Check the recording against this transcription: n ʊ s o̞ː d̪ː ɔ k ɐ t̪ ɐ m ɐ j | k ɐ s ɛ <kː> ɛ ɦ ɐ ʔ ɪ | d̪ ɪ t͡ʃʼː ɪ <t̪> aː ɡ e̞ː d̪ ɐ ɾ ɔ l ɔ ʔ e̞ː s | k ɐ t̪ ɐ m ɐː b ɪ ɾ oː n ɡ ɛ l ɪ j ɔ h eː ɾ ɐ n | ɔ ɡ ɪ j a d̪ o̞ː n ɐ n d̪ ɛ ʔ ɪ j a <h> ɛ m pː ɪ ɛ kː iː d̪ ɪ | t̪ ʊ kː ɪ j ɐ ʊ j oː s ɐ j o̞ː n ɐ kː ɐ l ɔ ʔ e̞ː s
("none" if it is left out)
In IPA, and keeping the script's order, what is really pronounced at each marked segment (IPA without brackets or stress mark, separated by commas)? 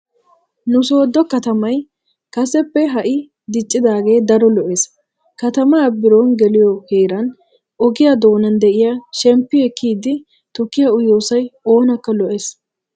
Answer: pː, d̪, ʃ